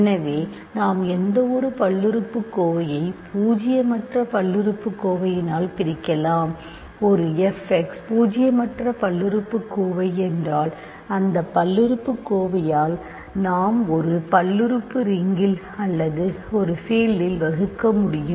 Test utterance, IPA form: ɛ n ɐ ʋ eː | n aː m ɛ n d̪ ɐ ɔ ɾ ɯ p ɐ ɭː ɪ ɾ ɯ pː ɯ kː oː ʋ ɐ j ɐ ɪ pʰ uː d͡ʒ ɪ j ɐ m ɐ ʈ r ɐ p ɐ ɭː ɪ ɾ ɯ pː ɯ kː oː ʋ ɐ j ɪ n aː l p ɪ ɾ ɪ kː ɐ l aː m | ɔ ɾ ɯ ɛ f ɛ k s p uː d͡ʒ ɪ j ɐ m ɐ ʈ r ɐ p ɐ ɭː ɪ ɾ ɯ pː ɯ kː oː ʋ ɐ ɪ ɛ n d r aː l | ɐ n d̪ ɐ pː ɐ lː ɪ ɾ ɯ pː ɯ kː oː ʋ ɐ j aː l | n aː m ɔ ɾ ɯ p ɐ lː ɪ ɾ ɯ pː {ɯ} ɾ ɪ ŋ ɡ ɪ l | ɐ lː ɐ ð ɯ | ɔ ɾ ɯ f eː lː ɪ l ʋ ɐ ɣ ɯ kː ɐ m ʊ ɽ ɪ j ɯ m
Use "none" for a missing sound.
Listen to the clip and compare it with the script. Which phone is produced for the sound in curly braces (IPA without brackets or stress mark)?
ɯ